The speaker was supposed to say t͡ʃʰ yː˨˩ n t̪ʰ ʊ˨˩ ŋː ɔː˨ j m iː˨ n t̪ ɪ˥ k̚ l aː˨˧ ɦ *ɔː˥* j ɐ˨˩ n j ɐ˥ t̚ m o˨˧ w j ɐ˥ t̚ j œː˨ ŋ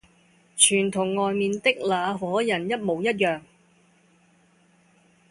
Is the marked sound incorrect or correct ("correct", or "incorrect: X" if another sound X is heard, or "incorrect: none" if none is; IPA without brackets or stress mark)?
incorrect: ɔː˨˥